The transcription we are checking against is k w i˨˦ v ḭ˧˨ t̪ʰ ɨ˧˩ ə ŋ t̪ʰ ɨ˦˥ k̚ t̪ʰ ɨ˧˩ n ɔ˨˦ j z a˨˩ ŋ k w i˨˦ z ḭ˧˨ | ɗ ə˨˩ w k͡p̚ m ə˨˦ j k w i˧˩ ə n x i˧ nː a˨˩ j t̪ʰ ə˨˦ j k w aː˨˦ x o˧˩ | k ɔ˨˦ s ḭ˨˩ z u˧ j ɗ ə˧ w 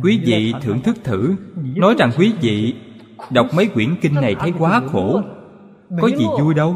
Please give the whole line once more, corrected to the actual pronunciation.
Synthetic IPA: k w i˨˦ v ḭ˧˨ t̪ʰ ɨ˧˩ ə ŋ t̪ʰ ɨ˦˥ k̚ t̪ʰ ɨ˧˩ n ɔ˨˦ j z a˨˩ ŋ k w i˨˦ v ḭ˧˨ | ɗ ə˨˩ w k͡p̚ m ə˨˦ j k w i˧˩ ə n k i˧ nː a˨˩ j t̪ʰ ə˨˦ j k w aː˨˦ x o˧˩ | k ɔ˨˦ z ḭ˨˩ z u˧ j ɗ ə˧ w